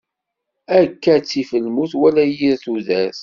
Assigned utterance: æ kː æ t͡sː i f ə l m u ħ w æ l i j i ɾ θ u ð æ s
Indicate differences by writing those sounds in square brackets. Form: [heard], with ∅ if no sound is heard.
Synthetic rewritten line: æ kː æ t͡sː i f ə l m u [θ] w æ l [æ] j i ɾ θ u ð æ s